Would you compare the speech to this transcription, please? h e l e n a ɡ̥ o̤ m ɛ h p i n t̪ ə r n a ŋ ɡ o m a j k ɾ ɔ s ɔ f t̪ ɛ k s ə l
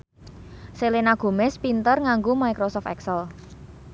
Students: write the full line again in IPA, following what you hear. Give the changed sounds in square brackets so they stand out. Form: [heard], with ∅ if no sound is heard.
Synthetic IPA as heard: [s] e l e n a ɡ̥ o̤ m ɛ [s] p i n t̪ ə r [ŋ] a ŋ ɡ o m a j k ɾ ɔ s ɔ f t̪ ɛ k s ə l